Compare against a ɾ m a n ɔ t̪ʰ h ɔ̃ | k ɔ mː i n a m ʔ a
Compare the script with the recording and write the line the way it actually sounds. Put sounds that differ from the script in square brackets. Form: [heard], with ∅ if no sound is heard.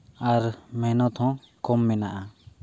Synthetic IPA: a ɾ m [ɛ] n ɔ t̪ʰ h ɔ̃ | k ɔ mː [ɛ] n a [∅] ʔ a